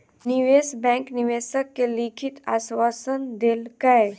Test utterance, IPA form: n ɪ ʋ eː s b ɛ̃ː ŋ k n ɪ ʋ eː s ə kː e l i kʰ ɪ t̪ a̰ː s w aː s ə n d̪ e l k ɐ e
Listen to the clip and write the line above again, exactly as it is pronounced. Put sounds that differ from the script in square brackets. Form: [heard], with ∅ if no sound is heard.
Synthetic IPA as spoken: n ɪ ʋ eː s b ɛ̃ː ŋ k n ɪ ʋ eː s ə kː e l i kʰ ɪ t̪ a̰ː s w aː s ə n d̪ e l k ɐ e